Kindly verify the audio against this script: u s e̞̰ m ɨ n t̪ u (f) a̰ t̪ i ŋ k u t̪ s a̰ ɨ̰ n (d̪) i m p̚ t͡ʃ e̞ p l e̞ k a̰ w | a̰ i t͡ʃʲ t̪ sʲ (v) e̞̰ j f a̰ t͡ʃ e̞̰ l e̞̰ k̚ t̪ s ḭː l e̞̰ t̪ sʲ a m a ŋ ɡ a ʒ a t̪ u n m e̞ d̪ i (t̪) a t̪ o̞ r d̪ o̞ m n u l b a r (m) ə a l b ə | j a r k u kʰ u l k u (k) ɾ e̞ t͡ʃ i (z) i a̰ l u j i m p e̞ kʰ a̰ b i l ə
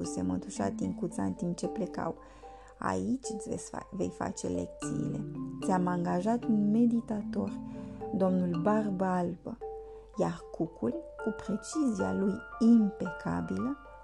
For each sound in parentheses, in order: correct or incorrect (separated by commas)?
incorrect, incorrect, correct, correct, incorrect, incorrect, correct